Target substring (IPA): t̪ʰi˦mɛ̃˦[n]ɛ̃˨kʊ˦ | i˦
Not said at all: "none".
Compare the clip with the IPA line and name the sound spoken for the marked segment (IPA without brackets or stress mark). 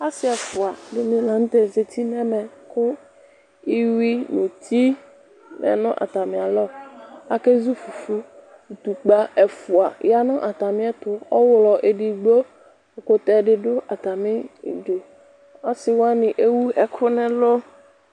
m